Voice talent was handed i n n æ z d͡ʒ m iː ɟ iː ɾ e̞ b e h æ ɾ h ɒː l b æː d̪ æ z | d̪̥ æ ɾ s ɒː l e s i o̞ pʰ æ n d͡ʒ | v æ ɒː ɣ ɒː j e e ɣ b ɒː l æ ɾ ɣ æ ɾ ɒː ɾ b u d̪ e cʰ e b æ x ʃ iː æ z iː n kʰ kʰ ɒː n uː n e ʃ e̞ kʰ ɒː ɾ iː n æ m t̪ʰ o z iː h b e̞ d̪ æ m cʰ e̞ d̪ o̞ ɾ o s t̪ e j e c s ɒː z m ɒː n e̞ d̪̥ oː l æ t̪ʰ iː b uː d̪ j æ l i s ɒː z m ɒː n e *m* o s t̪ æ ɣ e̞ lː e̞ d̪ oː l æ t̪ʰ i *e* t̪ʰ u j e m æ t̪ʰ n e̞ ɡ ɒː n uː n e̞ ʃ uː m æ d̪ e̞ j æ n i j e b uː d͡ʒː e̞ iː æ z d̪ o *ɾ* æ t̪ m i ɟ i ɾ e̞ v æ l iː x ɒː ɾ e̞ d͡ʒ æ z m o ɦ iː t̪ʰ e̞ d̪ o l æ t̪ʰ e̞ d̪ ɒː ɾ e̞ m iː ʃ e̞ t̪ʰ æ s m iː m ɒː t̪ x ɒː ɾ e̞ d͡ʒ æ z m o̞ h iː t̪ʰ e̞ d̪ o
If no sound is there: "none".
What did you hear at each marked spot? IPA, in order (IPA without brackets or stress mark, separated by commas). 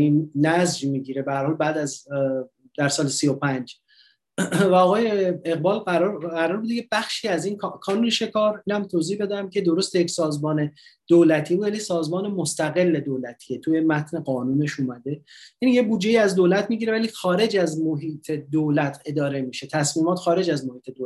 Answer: m, e, l